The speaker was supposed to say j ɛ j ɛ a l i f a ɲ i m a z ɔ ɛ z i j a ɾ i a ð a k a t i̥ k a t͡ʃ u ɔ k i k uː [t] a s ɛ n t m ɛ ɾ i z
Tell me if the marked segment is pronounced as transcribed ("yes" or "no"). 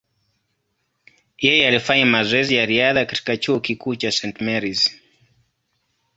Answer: no